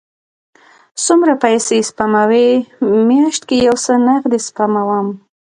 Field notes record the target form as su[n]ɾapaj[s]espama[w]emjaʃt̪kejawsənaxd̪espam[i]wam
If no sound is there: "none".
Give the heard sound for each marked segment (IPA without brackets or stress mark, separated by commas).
m, s, w, a